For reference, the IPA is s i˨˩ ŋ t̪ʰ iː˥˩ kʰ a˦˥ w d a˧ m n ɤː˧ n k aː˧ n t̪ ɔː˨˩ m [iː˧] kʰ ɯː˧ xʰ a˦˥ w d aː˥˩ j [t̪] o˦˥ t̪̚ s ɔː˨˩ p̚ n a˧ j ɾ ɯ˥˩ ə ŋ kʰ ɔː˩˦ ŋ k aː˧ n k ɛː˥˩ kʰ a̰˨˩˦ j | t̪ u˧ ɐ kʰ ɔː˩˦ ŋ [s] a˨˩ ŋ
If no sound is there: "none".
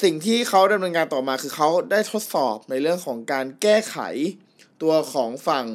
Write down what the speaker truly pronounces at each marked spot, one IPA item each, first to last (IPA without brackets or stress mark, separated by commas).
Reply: aː˧, t̪ʰ, f